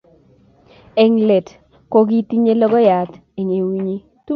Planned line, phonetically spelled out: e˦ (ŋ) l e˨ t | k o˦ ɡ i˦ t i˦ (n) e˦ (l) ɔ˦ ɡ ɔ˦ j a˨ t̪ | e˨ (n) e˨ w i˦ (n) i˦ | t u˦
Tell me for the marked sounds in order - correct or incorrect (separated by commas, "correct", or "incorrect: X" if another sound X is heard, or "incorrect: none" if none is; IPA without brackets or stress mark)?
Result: correct, incorrect: ɲ, correct, incorrect: ɲ, incorrect: ɲ